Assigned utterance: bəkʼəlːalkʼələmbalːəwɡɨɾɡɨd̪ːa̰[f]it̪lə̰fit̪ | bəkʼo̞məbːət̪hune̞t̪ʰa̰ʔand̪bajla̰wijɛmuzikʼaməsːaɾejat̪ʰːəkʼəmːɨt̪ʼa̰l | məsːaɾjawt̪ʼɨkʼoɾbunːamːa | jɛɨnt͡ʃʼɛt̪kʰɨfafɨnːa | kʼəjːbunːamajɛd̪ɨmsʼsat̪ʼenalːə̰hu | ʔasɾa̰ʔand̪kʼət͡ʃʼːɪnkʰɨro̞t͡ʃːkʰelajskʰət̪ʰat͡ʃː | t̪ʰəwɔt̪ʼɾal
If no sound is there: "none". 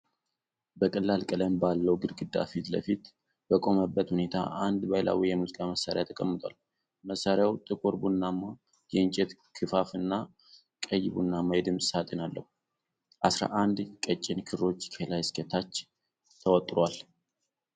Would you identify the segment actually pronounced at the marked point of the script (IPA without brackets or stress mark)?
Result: f